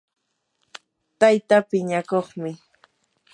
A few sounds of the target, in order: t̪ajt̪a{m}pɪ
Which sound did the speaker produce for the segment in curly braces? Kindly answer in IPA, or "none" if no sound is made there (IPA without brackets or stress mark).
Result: none